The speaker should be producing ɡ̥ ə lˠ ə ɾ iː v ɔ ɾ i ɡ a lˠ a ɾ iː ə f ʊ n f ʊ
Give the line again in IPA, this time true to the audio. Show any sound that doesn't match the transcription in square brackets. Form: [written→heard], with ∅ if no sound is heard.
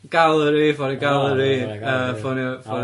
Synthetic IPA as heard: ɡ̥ [ə→a] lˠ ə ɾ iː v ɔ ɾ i ɡ a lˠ [a→ə] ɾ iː ə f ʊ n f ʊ

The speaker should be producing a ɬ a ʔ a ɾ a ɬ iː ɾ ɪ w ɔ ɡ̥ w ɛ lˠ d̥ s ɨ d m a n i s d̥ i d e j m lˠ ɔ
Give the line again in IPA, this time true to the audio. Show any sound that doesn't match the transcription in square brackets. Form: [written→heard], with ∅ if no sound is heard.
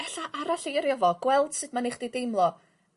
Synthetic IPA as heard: [a→ɛ] ɬ a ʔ a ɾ a ɬ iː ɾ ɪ [w→v] ɔ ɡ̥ w ɛ lˠ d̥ s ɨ d m a n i [s→χ] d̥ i d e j m lˠ ɔ

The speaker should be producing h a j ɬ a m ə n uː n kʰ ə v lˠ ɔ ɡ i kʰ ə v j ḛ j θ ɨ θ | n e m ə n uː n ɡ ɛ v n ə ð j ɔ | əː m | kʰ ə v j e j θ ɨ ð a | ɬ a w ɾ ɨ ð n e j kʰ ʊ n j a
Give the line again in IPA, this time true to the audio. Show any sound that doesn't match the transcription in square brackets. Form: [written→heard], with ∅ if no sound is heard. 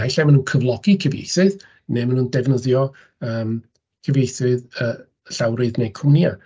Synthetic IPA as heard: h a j ɬ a m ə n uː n kʰ ə v lˠ ɔ ɡ i kʰ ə v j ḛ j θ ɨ [θ→ð] | n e m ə n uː n [ɡ→d] ɛ v n ə ð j ɔ | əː m | kʰ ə v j e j θ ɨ ð [a→ə] | ɬ a w ɾ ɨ ð n e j kʰ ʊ n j a

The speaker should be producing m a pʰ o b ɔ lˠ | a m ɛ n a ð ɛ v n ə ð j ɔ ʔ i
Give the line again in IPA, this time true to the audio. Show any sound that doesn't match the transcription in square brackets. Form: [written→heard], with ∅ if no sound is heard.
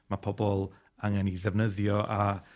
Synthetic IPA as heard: m a pʰ [o→ɔ] b ɔ lˠ | a [m→ŋ] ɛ n [a→i] ð ɛ v n ə ð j ɔ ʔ [i→a]

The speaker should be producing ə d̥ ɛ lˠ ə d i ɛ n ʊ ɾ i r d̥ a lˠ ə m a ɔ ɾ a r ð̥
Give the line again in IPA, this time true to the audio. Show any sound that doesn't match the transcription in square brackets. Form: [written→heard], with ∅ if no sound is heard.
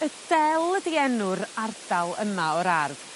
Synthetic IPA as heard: ə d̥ ɛ lˠ ə d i ɛ n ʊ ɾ [i→a] r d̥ a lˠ ə m a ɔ ɾ a r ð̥

